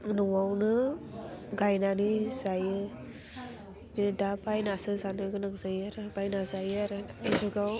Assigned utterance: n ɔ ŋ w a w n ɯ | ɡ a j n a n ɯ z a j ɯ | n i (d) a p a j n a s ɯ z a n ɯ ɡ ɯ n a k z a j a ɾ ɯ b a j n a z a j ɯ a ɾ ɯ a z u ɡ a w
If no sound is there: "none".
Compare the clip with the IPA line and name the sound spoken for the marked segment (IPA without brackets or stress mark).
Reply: d